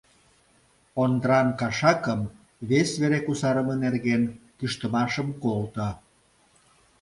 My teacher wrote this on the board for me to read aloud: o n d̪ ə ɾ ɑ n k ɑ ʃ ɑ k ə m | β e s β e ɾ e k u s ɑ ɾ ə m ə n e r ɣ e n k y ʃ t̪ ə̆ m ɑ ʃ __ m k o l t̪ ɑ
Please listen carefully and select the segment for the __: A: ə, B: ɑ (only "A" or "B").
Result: A